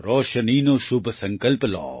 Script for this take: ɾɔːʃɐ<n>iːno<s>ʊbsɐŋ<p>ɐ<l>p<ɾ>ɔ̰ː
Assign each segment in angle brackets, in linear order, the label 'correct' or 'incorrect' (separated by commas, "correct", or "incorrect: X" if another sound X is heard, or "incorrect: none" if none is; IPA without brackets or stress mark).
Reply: correct, incorrect: ʃ, incorrect: k, correct, incorrect: l